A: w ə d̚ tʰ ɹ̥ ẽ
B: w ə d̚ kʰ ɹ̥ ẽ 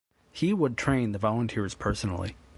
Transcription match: A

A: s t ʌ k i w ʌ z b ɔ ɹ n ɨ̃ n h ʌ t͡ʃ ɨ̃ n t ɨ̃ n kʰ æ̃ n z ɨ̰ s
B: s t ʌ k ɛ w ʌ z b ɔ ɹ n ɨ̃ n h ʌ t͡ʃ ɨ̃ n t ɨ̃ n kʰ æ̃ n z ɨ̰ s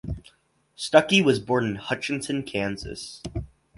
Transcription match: A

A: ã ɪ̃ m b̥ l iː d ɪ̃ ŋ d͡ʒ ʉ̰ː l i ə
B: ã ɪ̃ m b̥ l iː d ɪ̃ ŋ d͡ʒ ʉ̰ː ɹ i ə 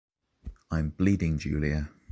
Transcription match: A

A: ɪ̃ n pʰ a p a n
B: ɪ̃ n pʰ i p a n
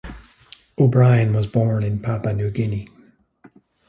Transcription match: A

